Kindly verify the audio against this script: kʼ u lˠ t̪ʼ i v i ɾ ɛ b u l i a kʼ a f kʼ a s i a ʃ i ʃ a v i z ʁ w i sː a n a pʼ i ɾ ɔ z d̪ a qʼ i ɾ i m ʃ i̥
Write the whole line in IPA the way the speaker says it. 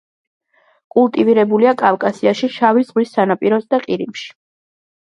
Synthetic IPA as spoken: kʼ u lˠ t̪ʼ i v i ɾ ɛ b u l i a kʼ a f kʼ a s i a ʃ i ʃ a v i z ʁ w i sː a n a pʼ i ɾ ɔ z d̪ a qʼ i ɾ i m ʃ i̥

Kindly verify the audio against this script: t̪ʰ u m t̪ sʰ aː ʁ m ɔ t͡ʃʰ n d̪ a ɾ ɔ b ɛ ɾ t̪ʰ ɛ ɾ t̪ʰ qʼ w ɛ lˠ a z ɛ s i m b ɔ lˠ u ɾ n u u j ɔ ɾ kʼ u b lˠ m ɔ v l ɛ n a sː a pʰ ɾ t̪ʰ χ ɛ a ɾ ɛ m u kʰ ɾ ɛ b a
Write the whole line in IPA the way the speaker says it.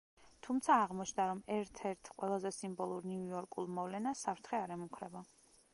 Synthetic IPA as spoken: t̪ʰ u m t̪ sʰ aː ʁ m ɔ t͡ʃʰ n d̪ a ɾ ɔ m ɛ ɾ t̪ʰ ɛ ɾ t̪ʰ qʼ w ɛ lˠ a z ɛ s i m b ɔ lˠ u ɾ n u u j ɔ ɾ kʼ u lˠ m ɔ v l ɛ n a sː a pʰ ɾ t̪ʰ χ ɛ a ɾ ɛ m u kʰ ɾ ɛ b a

